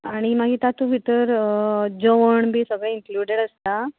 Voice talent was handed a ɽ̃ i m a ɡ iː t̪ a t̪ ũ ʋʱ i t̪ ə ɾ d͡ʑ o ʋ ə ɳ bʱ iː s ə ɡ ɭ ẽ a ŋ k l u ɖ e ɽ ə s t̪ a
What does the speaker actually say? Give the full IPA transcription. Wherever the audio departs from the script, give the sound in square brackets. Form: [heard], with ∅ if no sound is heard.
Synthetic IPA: a ɽ̃ i m a ɡ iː t̪ a t̪ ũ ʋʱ i t̪ ə ɾ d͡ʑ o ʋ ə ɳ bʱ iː s ə ɡ ɭ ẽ [i] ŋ k l u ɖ e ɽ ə s t̪ a